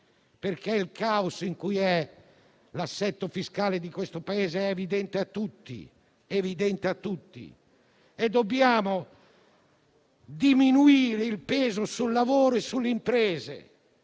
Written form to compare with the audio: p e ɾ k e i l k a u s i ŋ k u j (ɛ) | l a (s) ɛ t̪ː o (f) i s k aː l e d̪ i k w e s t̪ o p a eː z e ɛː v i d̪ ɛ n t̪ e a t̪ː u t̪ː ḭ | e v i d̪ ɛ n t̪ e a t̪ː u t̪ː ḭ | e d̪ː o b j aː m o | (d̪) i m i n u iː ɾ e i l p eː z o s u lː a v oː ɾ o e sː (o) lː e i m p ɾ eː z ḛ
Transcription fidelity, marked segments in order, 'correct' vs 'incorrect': correct, incorrect: sː, correct, correct, incorrect: u

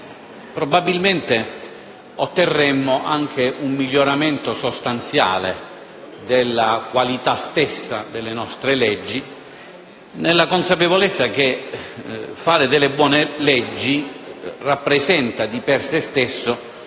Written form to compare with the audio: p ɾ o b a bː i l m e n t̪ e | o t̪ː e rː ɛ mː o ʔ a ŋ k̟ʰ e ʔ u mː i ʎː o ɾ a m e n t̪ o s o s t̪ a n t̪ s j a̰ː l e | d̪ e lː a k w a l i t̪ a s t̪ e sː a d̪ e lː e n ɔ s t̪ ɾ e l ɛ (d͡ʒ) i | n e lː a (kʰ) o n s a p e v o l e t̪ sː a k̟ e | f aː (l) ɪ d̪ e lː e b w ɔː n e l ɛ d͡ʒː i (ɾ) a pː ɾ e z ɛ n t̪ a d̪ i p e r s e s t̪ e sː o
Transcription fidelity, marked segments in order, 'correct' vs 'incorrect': incorrect: d͡ʒː, incorrect: k, incorrect: ɾ, incorrect: r

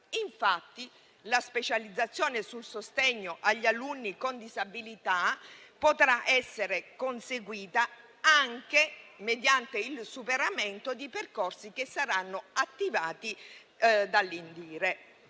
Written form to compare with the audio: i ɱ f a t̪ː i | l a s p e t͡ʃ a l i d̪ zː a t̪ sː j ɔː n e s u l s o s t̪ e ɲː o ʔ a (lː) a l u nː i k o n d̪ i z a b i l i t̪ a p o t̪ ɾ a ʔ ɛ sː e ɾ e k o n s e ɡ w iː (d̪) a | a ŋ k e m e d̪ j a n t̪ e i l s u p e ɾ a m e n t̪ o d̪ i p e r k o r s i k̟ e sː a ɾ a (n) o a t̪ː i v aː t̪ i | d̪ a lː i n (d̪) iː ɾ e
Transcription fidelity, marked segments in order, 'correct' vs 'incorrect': incorrect: ʎː, incorrect: t̪, incorrect: nː, correct

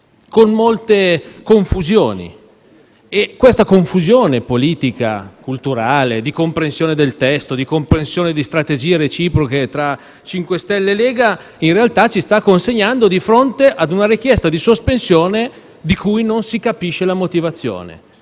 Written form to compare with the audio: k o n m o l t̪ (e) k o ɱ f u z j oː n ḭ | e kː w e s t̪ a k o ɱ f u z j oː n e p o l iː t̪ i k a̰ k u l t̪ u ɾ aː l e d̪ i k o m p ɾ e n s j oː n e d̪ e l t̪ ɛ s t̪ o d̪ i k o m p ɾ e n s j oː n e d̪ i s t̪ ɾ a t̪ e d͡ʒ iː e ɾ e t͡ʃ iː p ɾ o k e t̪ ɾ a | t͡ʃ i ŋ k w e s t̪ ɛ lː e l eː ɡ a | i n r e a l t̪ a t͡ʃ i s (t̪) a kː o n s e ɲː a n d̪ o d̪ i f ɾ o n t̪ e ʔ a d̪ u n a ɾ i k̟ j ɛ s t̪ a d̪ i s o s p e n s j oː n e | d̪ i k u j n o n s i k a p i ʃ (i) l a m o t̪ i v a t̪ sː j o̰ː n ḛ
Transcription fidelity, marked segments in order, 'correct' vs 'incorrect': correct, correct, incorrect: e

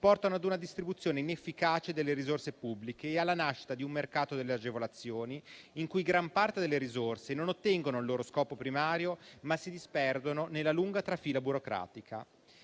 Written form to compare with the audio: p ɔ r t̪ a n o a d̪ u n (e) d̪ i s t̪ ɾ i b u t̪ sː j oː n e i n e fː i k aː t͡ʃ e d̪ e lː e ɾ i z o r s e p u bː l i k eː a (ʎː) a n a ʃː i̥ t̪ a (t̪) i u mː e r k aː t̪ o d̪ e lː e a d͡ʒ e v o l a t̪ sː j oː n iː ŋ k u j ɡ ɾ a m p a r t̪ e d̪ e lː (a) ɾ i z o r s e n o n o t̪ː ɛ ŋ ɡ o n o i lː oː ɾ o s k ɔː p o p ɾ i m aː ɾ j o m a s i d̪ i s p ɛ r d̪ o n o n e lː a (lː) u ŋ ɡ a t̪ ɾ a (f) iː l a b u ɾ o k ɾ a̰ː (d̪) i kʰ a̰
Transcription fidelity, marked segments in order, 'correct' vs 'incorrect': incorrect: a, incorrect: lː, incorrect: d̪, incorrect: e, incorrect: l, correct, incorrect: t̪

